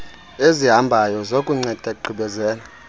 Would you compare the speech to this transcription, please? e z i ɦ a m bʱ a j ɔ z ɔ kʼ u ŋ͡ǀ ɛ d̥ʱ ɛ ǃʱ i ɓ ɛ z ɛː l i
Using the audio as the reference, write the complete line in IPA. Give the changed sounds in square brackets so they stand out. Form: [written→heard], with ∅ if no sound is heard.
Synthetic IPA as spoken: e z i ɦ a m bʱ a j ɔ z [ɔ→o] kʼ u ŋ͡ǀ ɛ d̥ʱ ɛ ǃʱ i ɓ ɛ z ɛː l [i→a]

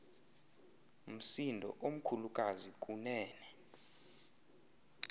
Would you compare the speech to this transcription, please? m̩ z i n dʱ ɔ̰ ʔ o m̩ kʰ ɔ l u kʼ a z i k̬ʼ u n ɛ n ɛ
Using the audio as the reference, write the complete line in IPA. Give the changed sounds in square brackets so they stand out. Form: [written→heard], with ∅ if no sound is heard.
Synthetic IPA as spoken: m̩ [z→s] i n dʱ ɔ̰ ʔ o m̩ kʰ [ɔ→u] l u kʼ a z i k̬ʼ u n [ɛ→ɛː] n ɛ

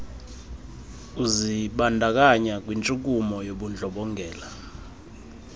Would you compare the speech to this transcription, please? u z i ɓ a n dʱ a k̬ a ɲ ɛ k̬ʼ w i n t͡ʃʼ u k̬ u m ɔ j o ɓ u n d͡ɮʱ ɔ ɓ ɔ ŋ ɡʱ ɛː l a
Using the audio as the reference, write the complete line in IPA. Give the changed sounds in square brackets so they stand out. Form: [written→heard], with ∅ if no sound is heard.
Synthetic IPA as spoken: u z i ɓ a n dʱ a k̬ a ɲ [ɛ→a] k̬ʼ w i n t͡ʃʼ u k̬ u m ɔ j o ɓ u n d͡ɮʱ ɔ ɓ ɔ ŋ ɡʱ ɛː l a

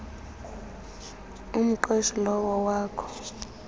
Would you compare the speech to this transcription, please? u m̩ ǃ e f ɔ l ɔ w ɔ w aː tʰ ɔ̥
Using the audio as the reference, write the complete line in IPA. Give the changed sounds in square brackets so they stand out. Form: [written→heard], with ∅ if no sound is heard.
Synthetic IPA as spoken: u m̩ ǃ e [f→ʃ] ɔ l ɔ w ɔ w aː [tʰ→kʰ] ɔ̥

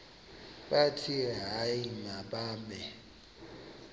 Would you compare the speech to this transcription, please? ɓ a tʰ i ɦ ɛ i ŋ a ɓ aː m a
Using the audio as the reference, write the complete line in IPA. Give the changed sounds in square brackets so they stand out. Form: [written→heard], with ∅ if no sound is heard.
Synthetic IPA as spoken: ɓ a tʰ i ɦ [ɛ→a] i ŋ a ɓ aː m [a→ɛ]

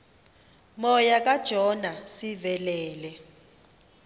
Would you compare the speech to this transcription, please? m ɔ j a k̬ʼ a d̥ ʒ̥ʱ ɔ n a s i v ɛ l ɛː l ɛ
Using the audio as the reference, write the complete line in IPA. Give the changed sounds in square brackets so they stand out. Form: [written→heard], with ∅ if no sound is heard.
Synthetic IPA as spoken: m ɔ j a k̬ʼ a d̥ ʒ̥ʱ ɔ n a s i v ɛ l ɛː l ɛ

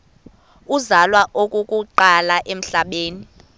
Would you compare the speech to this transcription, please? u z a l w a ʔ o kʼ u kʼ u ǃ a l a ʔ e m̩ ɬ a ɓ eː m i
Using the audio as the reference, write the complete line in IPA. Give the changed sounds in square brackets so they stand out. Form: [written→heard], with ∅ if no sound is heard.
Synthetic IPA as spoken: u z a l w a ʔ o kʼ u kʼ u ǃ a l a ʔ e m̩ ɬ a ɓ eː [m→n] i

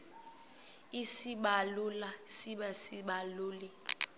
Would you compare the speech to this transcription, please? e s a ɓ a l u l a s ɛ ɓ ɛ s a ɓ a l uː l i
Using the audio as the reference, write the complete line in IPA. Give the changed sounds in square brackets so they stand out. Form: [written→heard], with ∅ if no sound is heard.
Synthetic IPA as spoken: [e→i] s [a→i] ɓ a l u l a s [ɛ→i] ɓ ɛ s [a→i] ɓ a l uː l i

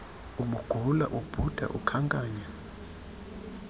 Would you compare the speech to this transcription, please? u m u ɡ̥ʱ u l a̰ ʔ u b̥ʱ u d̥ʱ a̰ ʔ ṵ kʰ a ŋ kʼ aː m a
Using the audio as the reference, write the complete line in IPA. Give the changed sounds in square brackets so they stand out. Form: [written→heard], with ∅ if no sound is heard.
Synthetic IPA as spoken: u m u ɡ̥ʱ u l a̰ ʔ u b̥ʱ u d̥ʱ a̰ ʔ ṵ kʰ a ŋ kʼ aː [m→ɲ] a

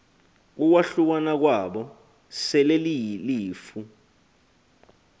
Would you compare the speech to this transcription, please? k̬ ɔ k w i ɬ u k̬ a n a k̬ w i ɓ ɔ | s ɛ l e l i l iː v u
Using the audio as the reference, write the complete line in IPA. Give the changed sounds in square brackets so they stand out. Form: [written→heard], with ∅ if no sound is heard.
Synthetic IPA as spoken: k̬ [ɔ→u] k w [i→a] ɬ u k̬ a n a k̬ w [i→a] ɓ ɔ | s ɛ l e l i l iː [v→f] u

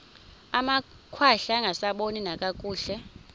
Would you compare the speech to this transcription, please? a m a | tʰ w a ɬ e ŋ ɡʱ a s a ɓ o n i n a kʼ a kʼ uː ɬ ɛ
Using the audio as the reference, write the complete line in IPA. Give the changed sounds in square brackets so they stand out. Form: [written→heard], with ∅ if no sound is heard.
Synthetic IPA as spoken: a m a | [tʰ→kʰ] w a ɬ [e→a] ŋ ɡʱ a s a ɓ o n i n a kʼ a kʼ uː ɬ ɛ

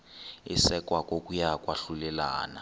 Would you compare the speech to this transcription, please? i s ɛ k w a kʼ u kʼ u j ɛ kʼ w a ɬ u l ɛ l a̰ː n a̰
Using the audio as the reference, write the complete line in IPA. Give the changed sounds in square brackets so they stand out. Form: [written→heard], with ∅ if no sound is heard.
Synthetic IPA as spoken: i s ɛ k w a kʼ [u→o] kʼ u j [ɛ→a] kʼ w a ɬ u l ɛ l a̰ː n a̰

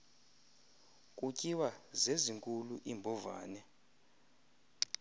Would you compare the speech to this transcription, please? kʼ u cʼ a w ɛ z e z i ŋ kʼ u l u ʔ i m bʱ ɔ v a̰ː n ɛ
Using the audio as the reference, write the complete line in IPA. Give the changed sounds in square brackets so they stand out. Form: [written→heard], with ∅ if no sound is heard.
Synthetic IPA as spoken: kʼ u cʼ [a→i] w [ɛ→a] z e z i ŋ kʼ u l u ʔ i m bʱ ɔ v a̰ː n ɛ

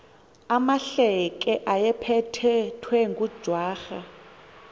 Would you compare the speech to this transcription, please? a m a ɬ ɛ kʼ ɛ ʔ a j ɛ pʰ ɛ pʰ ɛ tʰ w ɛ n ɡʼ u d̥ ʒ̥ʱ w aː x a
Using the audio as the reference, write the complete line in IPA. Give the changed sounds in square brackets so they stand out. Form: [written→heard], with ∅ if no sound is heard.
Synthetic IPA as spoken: a m a ɬ ɛ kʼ ɛ ʔ a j ɛ pʰ ɛ [pʰ→tʰ] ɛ tʰ w ɛ [n→ŋ] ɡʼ u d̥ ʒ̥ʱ w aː x a

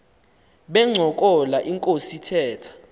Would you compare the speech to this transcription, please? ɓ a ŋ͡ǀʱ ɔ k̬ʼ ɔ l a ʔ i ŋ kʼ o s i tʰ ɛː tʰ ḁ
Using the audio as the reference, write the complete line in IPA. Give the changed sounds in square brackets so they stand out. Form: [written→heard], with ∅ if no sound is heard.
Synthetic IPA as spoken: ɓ [a→ɛ] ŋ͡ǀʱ ɔ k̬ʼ ɔ l a ʔ i ŋ kʼ o s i tʰ ɛː tʰ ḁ

